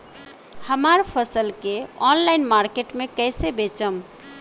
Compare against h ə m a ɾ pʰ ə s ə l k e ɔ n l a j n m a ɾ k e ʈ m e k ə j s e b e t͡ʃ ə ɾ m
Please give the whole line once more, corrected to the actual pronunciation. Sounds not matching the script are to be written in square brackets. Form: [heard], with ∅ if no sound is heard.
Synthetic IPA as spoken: h ə m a ɾ pʰ ə s ə l k e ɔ n l a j n m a ɾ k e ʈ m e k ə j s e b e t͡ʃ ə [∅] m